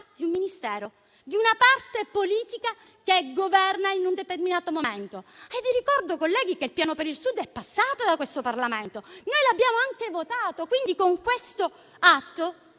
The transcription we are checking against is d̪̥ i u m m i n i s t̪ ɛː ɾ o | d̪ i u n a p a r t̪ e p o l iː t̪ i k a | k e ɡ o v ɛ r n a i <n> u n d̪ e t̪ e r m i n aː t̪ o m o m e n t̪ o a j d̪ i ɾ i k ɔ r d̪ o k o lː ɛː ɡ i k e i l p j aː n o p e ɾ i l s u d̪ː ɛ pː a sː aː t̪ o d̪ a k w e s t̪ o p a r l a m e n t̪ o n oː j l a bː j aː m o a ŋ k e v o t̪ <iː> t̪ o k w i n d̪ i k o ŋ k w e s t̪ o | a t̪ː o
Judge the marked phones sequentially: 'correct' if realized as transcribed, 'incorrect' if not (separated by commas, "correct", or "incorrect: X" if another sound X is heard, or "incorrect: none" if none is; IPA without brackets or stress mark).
correct, incorrect: aː